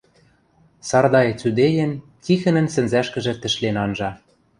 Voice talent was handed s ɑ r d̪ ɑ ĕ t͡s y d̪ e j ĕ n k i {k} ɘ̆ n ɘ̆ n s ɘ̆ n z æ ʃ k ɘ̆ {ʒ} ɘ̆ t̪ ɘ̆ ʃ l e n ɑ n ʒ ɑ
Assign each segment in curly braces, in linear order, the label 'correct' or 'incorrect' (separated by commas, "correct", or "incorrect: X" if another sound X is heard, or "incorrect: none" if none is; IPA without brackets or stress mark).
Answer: incorrect: x, correct